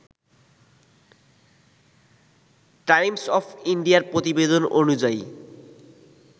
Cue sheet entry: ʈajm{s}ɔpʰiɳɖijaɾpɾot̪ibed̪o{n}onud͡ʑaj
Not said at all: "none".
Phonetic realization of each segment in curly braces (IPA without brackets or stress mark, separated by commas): s, n